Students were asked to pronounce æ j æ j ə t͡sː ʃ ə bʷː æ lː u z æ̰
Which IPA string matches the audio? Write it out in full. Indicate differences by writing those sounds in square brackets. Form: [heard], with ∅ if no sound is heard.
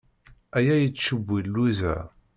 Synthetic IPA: æ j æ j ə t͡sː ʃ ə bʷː [i] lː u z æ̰